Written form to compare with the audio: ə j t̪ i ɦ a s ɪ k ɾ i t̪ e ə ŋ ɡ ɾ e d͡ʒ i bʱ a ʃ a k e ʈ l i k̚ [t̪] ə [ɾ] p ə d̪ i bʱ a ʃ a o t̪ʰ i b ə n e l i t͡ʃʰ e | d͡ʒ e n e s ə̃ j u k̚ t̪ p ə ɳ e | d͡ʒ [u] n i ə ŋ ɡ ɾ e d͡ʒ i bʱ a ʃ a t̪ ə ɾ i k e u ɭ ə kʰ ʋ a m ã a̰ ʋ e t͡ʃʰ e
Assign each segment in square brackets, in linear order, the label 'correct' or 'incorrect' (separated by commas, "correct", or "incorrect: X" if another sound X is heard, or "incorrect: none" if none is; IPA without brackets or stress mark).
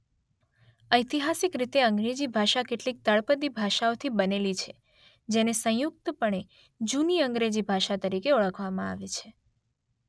correct, incorrect: ɭ, correct